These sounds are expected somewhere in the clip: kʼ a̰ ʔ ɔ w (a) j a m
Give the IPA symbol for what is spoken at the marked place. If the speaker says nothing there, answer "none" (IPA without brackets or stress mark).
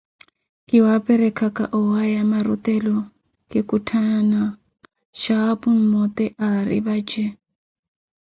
a